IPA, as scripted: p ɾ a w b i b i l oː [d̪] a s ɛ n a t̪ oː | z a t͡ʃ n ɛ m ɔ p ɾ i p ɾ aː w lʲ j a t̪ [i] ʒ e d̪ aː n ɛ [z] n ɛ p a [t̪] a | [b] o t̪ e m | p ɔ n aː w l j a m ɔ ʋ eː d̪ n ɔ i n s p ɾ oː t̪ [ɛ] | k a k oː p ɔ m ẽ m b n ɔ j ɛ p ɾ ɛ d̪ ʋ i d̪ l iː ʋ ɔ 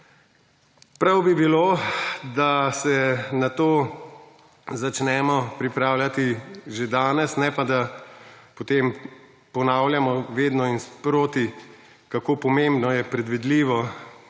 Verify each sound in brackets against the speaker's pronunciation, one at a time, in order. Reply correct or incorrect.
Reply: correct, correct, incorrect: s, incorrect: d̪, incorrect: p, incorrect: i

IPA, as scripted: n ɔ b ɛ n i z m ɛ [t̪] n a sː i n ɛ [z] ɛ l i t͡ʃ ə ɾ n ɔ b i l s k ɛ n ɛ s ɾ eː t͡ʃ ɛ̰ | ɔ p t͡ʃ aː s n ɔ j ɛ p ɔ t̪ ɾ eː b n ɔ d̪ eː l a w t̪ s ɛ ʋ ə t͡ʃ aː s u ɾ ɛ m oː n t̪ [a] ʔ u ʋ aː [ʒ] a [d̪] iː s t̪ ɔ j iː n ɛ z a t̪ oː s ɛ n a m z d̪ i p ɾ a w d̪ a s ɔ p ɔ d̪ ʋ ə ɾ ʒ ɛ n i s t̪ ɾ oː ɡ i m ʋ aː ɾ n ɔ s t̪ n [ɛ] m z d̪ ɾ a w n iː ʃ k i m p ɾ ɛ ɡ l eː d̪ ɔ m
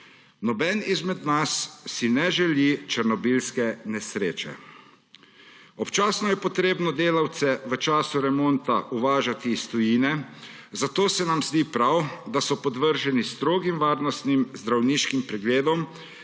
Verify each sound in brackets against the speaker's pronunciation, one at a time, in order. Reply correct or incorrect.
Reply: incorrect: d̪, incorrect: ʒ, correct, correct, incorrect: t̪, incorrect: i

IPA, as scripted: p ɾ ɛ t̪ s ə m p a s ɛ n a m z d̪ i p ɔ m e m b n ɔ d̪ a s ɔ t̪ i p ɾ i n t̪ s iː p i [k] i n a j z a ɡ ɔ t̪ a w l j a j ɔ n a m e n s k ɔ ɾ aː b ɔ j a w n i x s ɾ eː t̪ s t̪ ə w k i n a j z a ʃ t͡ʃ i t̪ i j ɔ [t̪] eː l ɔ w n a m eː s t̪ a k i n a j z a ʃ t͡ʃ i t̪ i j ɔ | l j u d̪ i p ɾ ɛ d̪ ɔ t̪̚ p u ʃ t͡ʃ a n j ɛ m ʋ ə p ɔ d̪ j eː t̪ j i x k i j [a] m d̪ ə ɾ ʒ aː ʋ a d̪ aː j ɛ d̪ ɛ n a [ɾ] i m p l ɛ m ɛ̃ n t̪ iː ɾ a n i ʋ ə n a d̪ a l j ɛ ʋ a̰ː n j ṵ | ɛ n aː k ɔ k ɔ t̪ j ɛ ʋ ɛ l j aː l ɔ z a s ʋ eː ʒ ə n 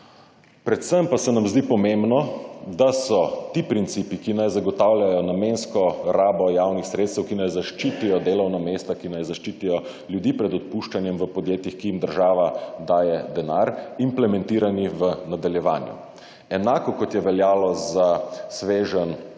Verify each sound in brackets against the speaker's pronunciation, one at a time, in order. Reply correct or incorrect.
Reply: correct, incorrect: d̪, incorrect: i, correct

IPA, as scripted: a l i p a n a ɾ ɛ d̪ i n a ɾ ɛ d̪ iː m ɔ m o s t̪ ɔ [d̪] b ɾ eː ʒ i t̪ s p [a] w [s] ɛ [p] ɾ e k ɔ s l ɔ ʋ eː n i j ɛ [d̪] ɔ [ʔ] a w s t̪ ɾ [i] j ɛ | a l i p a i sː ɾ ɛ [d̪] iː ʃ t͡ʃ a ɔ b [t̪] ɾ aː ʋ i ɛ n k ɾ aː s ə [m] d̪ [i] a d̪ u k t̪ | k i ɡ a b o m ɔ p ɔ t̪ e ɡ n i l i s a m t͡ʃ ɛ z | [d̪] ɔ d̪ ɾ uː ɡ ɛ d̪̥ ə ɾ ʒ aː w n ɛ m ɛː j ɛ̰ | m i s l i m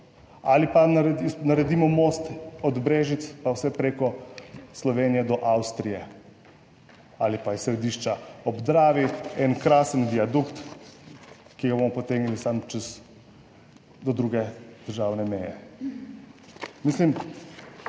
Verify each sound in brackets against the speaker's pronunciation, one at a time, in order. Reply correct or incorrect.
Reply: correct, correct, correct, correct, correct, correct, correct, correct, incorrect: d̪, incorrect: n, correct, correct

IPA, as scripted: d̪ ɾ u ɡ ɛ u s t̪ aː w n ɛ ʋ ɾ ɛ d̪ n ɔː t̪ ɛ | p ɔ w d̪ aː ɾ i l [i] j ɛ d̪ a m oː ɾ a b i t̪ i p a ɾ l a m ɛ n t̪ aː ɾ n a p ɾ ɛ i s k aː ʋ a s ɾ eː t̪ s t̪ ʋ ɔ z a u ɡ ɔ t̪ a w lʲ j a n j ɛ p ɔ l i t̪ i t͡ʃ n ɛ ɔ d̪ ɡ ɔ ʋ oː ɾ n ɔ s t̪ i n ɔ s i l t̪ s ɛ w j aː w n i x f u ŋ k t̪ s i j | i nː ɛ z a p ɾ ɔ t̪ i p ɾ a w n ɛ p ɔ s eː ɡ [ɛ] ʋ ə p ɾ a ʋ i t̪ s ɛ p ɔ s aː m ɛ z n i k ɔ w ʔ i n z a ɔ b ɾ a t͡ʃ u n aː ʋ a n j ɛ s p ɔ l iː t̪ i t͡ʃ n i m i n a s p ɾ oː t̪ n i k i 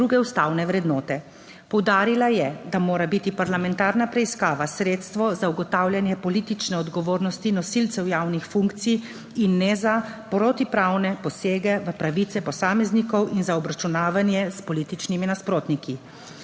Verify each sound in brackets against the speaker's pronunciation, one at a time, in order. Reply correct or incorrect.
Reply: incorrect: a, correct

